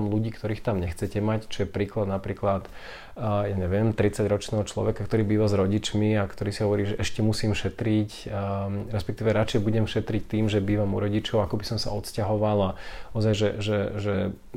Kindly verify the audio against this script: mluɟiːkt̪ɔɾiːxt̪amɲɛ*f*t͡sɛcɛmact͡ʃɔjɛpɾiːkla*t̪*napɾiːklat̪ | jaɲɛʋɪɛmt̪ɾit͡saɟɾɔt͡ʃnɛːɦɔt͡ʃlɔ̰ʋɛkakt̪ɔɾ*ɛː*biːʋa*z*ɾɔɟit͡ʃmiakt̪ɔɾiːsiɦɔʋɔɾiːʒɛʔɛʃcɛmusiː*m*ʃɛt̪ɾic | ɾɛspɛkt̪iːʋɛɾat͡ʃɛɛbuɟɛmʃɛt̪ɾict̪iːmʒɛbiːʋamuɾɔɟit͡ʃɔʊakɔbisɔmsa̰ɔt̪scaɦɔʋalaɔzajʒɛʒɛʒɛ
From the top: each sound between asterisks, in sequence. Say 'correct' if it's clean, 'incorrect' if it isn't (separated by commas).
incorrect, incorrect, incorrect, correct, correct